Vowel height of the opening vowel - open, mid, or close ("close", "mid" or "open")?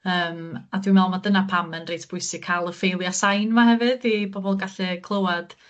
mid